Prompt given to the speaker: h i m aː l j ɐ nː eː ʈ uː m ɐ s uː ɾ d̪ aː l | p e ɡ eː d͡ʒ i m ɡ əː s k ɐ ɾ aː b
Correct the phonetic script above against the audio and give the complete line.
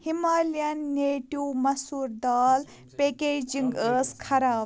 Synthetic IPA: h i m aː l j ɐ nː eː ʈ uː m ɐ s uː ɾ d̪ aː l | p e k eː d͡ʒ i ŋ ɡ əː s kʰ ɐ ɾ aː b